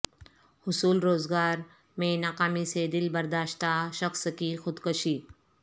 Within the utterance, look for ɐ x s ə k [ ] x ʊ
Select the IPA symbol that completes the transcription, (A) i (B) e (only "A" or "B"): A